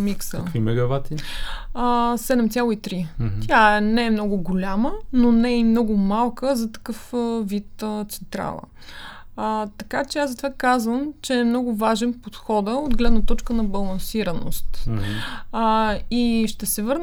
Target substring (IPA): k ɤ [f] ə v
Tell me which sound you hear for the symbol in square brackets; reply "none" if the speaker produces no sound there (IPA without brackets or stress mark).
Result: f